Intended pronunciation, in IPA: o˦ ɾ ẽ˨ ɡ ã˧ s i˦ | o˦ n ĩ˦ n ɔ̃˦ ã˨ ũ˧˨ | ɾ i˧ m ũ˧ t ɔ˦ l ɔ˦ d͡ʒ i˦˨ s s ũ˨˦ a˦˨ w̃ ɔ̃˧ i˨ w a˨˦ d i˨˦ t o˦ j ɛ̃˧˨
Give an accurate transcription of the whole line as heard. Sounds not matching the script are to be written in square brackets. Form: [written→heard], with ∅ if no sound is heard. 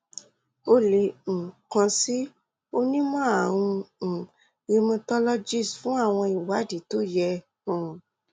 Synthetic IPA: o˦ [ɾ→l] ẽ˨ [ɡ→k] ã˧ s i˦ | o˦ n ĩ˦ [n→m] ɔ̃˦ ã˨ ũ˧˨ | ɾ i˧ m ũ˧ t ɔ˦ l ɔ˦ d͡ʒ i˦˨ s [s→f] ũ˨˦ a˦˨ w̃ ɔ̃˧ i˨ w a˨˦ d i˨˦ t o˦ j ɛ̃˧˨